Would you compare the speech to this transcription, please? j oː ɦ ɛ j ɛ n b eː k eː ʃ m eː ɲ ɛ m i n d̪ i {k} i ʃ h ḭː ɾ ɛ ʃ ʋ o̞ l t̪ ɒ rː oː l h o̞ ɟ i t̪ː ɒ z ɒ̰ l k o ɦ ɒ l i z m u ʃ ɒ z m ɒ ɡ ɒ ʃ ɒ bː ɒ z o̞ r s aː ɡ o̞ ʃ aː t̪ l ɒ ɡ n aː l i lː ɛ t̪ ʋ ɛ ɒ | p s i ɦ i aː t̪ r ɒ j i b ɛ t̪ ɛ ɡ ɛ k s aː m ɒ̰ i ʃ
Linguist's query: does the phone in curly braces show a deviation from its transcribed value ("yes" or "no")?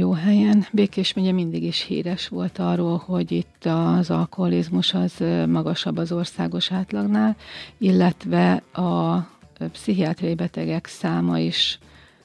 yes